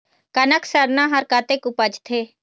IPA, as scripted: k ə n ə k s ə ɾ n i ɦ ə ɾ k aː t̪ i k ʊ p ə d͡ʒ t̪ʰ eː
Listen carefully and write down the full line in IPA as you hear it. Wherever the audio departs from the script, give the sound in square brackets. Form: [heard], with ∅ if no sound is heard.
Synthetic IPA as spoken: k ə n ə k s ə ɾ n [a] ɦ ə ɾ k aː t̪ [e] k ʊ p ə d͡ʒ t̪ʰ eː